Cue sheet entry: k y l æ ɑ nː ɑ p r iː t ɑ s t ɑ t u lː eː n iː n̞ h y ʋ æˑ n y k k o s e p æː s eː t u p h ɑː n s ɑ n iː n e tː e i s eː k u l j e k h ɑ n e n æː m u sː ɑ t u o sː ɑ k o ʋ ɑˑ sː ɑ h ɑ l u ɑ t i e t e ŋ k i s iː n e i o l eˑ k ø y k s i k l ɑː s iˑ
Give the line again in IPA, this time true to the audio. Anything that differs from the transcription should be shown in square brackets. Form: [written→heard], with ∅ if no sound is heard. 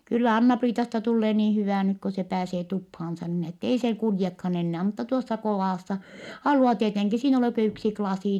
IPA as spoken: k y [l→lː] æ ɑ nː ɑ p r iː t ɑ s t ɑ t u lː eː n iː n̞ h y ʋ æˑ n y k k o s e p æː s eː t u p h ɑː n s ɑ n iː n e tː e i s eː k u l j e k h ɑ n e [n→nː] æː m u [sː→tː] ɑ t u o sː ɑ k o ʋ ɑˑ sː ɑ h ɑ l u ɑ t i e t e ŋ k i s iː n e i o l eˑ k ø y k s i k l [ɑː→ɑ] s iˑ